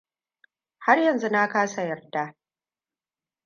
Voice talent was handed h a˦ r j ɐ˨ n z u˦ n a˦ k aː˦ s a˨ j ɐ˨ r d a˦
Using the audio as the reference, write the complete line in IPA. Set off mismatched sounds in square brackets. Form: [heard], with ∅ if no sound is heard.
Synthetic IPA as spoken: h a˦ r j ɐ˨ n z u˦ n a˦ k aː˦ s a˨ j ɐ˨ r d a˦